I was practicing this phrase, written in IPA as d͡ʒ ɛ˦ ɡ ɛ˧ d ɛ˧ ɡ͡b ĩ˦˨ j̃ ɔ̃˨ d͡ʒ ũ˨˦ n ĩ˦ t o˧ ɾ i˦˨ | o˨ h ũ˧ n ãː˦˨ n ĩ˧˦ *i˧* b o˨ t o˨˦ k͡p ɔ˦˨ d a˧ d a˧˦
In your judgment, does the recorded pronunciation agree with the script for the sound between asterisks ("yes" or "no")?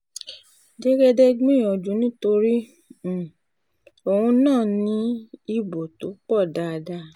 yes